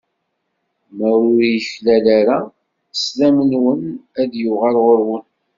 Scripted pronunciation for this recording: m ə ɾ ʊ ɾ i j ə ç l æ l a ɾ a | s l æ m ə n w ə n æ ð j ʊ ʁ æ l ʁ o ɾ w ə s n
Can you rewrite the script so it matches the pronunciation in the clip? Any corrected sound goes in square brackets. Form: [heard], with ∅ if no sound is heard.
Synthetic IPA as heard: m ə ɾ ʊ ɾ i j ə ç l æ l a ɾ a | s l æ m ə n w ə n æ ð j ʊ ʁ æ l ʁ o ɾ w ə [∅] n